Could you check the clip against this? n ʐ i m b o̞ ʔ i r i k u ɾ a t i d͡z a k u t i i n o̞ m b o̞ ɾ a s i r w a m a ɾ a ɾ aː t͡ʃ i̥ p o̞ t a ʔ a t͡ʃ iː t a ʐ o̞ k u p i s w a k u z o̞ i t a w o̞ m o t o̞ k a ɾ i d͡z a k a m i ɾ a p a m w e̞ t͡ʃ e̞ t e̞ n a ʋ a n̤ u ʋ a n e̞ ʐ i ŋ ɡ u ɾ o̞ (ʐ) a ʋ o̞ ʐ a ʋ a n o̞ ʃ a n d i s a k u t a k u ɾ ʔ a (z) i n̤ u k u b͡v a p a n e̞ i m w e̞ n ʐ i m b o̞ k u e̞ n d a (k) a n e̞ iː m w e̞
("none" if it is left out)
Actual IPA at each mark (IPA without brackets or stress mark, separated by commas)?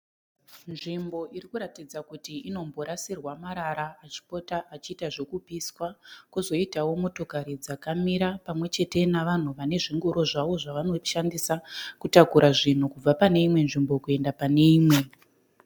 ʐ, ʐ, p